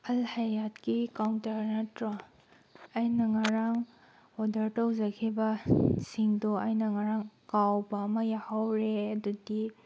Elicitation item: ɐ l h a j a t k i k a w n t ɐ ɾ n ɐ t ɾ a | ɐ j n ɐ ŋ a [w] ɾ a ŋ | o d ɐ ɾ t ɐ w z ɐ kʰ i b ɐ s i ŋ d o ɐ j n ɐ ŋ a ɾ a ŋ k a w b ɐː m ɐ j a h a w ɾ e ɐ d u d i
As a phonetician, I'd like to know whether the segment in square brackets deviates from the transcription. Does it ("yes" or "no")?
yes